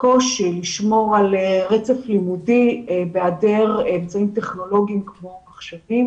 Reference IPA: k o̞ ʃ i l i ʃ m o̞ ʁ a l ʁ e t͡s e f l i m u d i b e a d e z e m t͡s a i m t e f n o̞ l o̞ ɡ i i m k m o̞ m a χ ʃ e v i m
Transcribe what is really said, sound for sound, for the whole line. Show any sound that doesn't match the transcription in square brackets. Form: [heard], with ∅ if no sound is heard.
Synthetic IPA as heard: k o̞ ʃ i l i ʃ m o̞ ʁ a l ʁ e t͡s e f l i m u d i b e a d e [ʁ] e m t͡s a i m t e [χ] n o̞ l o̞ ɡ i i m k m o̞ m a χ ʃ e v i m